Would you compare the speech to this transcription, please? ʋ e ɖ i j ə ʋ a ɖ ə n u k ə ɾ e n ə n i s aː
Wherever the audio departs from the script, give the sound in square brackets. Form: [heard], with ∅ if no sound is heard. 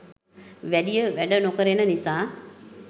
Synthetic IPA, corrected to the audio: ʋ [æ] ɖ i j ə ʋ [æ] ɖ ə n [o] k ə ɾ e n ə n i s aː